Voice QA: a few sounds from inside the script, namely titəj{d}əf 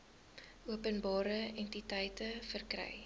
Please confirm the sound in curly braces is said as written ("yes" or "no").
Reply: no